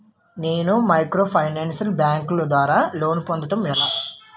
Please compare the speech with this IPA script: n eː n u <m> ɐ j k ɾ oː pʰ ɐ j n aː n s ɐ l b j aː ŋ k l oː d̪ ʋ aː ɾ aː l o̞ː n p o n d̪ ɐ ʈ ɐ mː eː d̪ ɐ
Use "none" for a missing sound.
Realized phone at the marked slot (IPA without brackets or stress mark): m